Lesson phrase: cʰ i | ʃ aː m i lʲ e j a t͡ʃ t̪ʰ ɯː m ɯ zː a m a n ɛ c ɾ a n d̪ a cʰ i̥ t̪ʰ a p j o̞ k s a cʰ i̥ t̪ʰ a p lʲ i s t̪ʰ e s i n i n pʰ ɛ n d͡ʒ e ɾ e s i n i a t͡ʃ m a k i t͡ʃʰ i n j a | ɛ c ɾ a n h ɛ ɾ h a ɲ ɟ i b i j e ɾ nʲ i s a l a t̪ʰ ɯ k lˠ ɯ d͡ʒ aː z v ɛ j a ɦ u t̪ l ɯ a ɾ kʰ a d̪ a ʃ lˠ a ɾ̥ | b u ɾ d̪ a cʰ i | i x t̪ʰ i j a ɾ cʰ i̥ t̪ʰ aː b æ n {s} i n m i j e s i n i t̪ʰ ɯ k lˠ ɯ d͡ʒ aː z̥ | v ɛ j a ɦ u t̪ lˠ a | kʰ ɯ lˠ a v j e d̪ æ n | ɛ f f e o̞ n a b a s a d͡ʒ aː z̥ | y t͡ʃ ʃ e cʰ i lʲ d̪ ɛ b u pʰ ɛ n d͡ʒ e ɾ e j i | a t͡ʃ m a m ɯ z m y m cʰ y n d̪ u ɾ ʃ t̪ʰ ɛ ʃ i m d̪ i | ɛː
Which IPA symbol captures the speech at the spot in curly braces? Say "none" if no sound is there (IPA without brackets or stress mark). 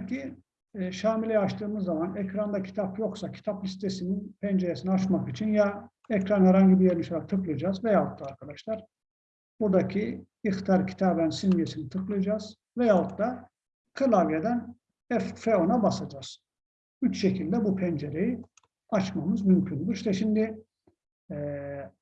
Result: s